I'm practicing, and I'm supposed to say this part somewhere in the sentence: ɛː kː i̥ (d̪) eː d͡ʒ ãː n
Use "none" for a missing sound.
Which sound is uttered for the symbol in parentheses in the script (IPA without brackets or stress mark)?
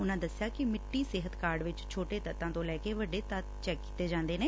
t̪